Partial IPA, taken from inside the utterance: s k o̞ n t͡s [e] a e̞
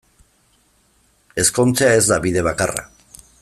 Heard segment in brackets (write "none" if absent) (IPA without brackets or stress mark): e